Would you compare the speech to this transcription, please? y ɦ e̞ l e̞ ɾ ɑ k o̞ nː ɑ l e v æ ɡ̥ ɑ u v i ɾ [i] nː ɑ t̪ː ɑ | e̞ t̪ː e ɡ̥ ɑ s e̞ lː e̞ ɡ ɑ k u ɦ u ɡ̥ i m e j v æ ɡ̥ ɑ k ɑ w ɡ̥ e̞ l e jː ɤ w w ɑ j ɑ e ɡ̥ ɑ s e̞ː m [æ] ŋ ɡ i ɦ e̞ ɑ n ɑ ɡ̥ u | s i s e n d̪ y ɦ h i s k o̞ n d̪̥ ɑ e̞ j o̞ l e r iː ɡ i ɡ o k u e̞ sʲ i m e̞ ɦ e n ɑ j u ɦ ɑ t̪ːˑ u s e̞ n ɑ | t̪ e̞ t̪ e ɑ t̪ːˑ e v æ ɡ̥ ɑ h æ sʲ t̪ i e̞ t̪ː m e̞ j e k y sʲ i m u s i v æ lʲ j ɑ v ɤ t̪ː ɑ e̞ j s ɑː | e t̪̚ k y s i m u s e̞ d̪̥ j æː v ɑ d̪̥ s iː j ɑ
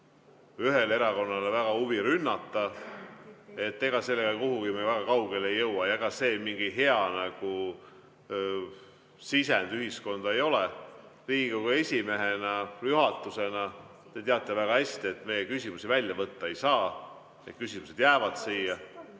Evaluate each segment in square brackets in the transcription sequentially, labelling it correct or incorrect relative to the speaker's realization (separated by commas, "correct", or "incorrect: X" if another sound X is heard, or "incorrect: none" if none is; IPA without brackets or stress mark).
incorrect: y, incorrect: i